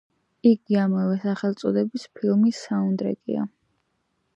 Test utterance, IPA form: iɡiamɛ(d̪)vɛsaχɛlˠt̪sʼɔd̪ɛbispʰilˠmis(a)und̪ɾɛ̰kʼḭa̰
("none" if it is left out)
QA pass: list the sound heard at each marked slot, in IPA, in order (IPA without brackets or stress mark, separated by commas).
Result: none, a